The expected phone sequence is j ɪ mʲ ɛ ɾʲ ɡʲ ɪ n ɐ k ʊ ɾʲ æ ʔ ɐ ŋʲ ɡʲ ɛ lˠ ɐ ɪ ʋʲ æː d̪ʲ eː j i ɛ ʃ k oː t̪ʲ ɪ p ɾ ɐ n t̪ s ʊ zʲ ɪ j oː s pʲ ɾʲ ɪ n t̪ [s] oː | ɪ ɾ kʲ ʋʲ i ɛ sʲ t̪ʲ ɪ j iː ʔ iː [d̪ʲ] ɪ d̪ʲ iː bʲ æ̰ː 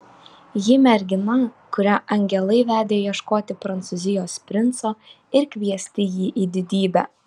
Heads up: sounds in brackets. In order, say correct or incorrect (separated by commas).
correct, correct